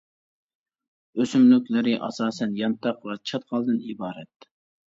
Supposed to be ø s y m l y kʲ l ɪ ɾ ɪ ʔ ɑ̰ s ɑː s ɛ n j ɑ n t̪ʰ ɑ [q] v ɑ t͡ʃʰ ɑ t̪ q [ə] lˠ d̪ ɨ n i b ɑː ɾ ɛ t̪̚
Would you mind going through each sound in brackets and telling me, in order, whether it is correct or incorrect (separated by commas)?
correct, incorrect